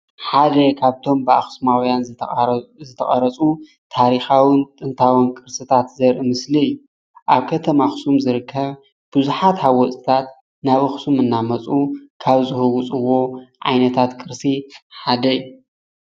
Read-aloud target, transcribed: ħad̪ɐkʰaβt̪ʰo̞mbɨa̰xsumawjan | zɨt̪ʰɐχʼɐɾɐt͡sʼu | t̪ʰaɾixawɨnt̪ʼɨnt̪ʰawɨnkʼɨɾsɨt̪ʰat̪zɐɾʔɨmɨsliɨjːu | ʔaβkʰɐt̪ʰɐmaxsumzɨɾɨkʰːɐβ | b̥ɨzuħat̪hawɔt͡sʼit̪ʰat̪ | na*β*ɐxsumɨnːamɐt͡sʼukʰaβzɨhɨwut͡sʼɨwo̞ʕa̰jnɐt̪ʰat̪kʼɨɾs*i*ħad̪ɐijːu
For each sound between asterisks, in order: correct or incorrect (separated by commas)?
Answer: correct, correct